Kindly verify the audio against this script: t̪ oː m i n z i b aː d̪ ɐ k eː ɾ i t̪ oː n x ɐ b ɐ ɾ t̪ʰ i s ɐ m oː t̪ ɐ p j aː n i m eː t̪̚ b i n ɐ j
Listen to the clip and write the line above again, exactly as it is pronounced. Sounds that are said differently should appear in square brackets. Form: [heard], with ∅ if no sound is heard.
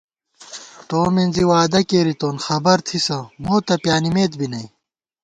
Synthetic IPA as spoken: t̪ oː m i n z i [w] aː d̪ ɐ k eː ɾ i t̪ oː n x ɐ b ɐ ɾ t̪ʰ i s ɐ m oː t̪ ɐ p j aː n i m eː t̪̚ b i n ɐ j